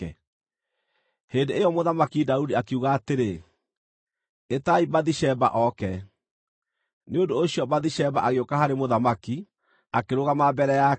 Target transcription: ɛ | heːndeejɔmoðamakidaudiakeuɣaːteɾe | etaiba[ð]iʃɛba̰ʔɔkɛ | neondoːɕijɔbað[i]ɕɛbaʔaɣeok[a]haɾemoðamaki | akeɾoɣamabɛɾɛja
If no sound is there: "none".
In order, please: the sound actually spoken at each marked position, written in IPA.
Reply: ð, i, a

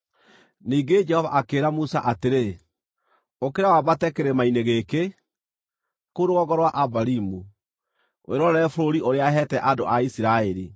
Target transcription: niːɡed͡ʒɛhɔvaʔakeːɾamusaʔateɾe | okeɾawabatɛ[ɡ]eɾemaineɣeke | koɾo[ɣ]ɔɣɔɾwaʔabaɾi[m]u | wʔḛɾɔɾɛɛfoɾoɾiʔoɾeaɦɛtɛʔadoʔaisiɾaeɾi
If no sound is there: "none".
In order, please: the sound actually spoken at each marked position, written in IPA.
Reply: k, ɣ, m

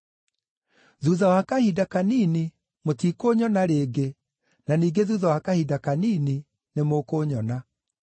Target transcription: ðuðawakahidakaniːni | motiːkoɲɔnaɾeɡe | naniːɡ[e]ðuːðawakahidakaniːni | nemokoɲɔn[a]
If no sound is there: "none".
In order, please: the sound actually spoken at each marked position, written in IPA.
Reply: e, a

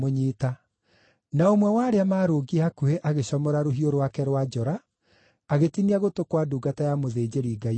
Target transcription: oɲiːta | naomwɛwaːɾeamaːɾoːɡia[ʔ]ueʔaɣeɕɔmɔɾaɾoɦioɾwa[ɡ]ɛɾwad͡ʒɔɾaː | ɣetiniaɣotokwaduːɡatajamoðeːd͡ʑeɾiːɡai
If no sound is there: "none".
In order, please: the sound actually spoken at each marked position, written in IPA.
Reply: k, k

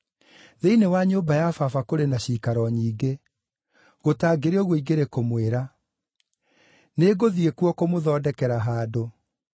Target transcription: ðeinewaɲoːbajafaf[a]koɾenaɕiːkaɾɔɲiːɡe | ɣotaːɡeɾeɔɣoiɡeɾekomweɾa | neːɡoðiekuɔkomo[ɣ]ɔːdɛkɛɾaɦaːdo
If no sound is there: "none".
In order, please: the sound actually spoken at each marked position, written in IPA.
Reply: a, ð

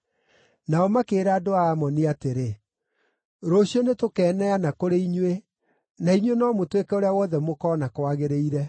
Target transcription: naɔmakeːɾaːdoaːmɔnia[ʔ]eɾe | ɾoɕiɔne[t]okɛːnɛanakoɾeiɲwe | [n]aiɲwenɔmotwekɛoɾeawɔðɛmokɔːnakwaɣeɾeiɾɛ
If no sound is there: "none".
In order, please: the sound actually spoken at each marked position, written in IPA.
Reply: t, t, n

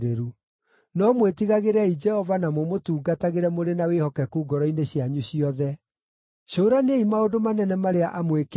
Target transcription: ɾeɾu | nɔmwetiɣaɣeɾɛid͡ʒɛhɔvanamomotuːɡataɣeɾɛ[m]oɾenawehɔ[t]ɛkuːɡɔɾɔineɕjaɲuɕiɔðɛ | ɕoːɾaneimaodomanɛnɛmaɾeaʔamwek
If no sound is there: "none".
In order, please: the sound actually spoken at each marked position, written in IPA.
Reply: m, k

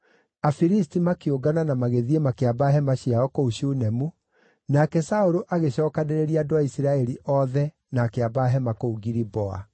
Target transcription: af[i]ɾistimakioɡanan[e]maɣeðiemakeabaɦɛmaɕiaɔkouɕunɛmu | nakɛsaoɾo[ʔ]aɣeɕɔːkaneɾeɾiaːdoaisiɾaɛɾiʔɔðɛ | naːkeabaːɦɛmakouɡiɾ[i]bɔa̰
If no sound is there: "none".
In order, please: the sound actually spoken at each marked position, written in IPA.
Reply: i, a, ʔ, i

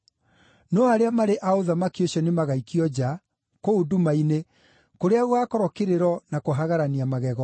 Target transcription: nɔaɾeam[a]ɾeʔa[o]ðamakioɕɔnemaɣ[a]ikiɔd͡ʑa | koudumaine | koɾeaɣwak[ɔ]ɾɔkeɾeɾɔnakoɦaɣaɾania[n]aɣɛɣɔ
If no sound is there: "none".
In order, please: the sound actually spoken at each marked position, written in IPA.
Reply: a, o, a, ɔ, m

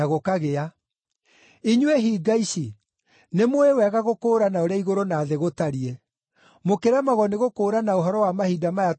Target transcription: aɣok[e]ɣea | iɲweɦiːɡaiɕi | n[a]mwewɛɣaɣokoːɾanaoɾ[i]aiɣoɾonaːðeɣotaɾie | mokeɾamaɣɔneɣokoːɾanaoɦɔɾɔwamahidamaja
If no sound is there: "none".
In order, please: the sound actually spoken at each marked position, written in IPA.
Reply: a, e, e

